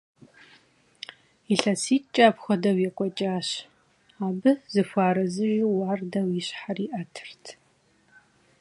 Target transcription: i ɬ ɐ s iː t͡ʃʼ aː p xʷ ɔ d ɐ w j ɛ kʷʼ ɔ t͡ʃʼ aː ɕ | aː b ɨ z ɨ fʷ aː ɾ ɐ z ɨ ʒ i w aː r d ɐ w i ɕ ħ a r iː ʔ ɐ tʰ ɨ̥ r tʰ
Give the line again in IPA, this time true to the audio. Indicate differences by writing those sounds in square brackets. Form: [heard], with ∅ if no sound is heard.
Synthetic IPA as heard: i ɬ ɐ s iː t͡ʃʼ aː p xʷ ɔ d ɐ w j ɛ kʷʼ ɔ t͡ʃʼ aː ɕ | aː b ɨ z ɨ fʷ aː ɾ ɐ z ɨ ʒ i w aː r d ɐ w i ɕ ħ a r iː ʔ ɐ tʰ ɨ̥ r tʰ